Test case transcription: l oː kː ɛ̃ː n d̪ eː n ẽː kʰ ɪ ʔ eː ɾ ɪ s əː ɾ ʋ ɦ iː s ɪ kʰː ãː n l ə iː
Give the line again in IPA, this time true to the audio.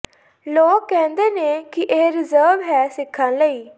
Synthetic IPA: l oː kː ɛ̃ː n d̪ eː n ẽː k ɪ ʔ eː ɾ ɪ z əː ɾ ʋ ɦ ɛː s ɪ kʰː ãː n l ə iː